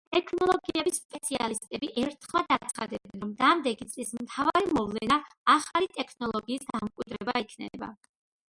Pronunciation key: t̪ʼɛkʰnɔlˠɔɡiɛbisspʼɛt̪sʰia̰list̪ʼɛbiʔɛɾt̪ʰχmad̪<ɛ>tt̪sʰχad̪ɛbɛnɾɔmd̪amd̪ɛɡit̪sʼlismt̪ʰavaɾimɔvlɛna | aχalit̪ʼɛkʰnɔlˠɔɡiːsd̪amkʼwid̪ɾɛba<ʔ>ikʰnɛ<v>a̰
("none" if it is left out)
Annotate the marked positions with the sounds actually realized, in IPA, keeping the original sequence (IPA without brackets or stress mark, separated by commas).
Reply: a, none, b